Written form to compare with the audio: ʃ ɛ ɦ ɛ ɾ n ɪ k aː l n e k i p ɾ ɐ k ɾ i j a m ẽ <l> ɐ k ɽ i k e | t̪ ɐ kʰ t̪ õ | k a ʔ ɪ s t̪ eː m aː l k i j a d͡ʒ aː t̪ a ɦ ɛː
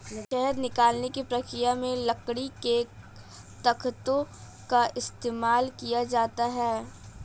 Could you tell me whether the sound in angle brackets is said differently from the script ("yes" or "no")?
no